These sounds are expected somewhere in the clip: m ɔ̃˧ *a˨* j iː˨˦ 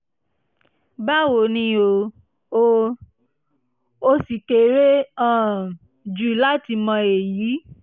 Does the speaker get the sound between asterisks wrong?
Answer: yes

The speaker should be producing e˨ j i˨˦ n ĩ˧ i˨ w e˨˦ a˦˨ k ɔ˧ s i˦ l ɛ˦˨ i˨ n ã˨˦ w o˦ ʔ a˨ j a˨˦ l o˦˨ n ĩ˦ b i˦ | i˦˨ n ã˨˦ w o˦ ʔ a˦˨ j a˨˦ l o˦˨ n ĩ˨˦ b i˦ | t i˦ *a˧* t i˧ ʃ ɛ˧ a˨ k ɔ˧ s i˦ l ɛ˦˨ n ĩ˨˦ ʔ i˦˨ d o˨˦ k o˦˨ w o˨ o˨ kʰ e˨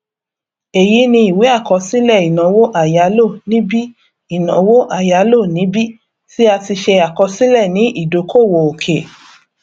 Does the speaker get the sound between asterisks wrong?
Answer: no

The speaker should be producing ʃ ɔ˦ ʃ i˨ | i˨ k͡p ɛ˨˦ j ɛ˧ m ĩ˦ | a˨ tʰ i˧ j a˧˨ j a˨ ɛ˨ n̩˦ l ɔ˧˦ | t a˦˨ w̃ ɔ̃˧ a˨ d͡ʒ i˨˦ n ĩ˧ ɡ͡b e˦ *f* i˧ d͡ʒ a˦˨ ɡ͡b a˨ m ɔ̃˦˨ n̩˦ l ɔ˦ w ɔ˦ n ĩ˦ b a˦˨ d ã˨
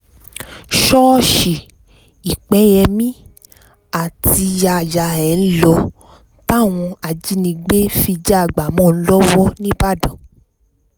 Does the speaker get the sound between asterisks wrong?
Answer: no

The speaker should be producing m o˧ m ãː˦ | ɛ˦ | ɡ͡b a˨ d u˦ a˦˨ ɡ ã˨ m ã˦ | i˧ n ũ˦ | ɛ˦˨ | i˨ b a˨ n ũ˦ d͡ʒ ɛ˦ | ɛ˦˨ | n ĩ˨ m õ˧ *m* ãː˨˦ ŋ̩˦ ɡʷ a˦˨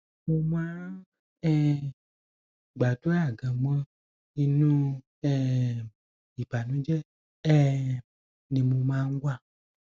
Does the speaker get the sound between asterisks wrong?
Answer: no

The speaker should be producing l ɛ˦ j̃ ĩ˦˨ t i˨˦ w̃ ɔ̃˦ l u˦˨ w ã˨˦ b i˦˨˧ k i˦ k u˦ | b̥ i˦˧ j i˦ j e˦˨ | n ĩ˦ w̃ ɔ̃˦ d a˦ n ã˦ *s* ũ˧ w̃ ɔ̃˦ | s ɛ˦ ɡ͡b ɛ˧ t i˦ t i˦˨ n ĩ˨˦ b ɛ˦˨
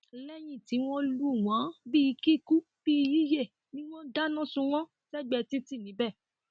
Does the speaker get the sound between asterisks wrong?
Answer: no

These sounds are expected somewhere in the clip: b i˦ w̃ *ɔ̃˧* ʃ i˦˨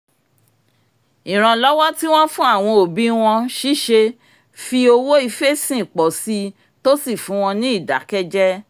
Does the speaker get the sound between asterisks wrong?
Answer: no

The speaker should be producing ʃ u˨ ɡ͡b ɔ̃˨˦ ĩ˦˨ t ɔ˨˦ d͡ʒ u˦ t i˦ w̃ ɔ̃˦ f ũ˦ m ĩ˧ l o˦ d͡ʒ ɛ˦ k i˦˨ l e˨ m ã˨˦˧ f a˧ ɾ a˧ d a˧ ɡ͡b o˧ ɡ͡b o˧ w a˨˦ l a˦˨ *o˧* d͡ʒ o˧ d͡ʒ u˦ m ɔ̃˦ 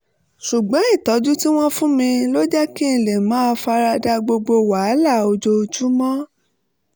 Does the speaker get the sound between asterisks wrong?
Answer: no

